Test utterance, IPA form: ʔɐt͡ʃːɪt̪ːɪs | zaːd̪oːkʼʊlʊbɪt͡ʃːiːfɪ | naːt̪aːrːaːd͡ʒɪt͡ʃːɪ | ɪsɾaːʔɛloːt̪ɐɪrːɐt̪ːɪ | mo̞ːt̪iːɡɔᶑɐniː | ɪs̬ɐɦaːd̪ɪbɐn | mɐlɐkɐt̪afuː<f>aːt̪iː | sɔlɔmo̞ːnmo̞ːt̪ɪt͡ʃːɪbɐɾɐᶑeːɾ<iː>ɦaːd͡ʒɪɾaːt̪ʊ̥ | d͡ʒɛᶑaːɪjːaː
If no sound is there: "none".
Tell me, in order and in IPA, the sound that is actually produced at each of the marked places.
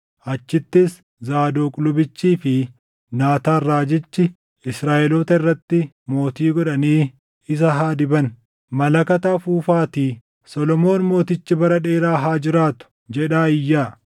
f, aː

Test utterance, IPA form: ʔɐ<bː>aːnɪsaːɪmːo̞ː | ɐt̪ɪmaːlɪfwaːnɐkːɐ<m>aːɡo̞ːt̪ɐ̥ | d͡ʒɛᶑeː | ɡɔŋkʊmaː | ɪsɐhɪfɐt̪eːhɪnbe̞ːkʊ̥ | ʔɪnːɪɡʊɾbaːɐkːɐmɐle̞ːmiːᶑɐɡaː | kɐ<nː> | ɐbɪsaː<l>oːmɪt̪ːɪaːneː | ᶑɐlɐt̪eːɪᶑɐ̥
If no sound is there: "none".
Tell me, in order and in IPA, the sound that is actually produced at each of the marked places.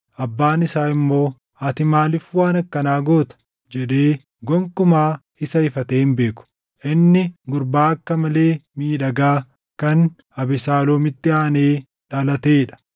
bː, n, n, l

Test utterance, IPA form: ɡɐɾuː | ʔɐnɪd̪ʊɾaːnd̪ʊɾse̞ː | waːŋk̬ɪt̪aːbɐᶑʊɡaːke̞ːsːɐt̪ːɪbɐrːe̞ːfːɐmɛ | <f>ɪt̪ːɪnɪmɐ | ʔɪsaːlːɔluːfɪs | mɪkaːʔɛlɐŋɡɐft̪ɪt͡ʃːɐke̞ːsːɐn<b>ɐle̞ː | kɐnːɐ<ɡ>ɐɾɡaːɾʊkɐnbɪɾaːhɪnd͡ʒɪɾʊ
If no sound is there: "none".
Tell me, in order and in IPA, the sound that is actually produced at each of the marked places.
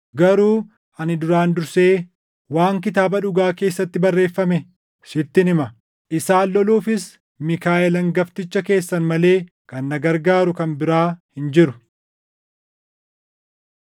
ʃ, m, ɡ

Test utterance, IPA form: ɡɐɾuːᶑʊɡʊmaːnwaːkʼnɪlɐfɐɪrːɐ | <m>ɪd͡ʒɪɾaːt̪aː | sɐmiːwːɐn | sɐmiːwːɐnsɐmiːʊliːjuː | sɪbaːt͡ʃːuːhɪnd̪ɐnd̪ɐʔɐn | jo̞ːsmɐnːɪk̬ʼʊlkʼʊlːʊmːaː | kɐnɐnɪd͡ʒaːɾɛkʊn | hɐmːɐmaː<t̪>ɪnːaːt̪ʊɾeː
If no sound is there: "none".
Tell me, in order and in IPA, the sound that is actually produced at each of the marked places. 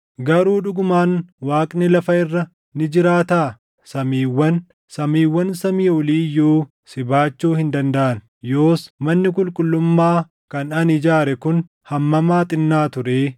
n, t̪ʼ

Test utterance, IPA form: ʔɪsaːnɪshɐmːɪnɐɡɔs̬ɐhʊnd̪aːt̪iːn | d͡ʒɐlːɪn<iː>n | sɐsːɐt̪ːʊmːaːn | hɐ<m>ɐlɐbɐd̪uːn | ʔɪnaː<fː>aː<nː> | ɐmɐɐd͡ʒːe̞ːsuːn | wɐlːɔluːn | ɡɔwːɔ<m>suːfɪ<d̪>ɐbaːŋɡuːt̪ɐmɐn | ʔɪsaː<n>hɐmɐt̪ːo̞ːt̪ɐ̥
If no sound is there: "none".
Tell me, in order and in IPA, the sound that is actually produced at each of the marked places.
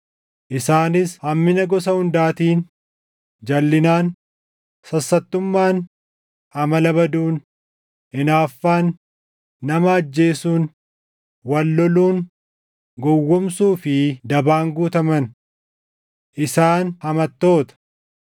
aː, m, fː, nː, m, d̪, n

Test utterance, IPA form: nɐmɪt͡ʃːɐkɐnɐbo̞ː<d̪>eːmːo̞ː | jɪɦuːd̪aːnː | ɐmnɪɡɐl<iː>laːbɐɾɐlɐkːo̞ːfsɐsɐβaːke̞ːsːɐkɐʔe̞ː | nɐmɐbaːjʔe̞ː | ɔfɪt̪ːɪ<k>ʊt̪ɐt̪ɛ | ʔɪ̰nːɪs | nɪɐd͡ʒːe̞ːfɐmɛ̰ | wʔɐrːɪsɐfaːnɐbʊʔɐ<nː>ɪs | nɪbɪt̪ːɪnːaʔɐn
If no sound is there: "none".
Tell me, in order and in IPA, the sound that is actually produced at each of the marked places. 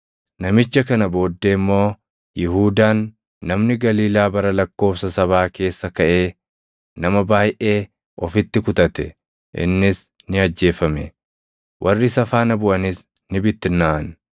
d̪ː, iː, k, n

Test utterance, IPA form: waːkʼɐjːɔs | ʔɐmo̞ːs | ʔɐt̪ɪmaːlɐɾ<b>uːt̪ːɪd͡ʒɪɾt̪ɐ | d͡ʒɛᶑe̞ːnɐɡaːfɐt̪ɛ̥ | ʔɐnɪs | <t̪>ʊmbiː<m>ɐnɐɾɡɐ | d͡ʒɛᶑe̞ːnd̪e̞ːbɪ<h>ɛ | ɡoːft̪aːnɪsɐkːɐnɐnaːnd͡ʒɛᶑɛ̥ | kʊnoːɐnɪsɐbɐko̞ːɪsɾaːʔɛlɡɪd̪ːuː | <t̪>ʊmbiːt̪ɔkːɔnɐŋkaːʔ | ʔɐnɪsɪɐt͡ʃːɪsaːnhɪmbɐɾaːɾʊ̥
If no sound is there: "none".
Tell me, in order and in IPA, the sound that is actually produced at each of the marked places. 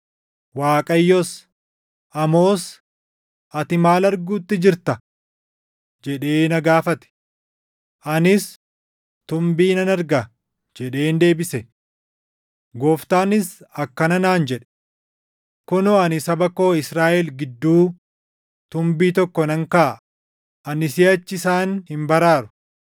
ɡ, t̪, n, s, t̪

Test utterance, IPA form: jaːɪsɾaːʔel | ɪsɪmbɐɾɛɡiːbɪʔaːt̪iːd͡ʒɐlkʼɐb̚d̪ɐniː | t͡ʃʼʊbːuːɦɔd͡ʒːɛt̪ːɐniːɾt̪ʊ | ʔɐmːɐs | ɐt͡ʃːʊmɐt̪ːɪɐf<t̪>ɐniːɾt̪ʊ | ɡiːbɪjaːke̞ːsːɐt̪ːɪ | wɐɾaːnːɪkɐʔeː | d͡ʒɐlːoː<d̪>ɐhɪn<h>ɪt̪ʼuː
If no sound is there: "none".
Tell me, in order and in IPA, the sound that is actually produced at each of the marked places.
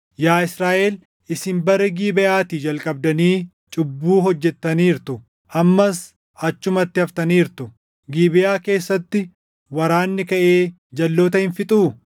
t̪, t̪, f

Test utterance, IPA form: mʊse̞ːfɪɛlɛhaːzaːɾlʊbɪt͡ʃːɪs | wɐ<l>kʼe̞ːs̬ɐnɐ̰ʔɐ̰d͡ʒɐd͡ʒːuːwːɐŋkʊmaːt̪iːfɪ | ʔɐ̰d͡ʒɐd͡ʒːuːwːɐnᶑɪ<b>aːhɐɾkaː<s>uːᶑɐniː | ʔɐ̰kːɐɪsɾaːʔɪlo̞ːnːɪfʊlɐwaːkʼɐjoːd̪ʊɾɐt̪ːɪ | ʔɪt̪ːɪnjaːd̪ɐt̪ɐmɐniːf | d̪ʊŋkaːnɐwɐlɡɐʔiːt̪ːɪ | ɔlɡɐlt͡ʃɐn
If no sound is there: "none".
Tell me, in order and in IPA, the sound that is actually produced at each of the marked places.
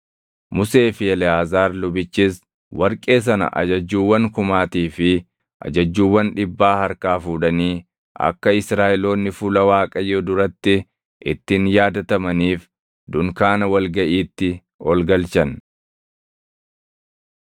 ɾ, bː, f

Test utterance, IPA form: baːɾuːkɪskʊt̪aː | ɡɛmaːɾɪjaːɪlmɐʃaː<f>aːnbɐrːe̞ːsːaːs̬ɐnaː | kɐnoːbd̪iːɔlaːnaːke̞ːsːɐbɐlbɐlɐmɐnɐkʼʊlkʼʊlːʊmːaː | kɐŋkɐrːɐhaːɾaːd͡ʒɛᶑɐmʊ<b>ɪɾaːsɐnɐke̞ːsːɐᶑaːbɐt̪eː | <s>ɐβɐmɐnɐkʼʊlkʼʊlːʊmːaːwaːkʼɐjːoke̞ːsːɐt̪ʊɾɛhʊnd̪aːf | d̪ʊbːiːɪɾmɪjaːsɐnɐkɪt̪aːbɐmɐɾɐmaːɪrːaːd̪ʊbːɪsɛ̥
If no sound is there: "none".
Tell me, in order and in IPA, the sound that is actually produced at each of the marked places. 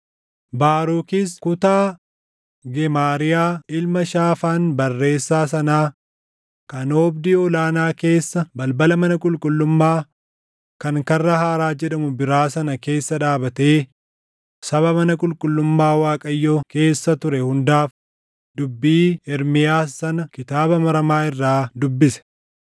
f, b, s

